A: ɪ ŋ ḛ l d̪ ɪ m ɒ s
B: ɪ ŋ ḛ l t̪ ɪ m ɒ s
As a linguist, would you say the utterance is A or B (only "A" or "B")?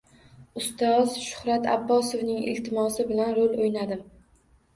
B